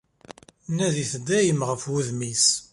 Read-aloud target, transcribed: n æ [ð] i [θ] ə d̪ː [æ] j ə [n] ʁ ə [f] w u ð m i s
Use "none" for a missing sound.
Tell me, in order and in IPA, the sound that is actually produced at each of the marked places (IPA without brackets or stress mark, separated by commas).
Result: ð, θ, æ, m, f